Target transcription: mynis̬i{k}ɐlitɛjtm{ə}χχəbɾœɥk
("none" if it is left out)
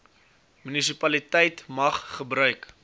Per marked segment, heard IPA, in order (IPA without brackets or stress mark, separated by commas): p, ɐ